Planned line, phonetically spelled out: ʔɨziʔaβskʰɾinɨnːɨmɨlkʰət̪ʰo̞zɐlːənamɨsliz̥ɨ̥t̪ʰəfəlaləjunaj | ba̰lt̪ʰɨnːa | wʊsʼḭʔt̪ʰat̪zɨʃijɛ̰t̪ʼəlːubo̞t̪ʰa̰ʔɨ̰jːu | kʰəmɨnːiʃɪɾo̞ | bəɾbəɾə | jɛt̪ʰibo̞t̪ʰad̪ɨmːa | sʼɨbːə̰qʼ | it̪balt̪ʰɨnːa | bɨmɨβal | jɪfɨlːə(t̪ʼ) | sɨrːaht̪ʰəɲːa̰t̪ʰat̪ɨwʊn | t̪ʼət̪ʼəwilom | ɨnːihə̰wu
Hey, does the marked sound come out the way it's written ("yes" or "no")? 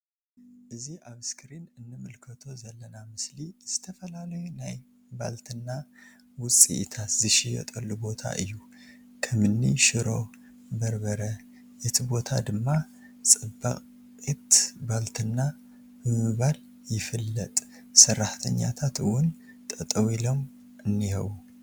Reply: yes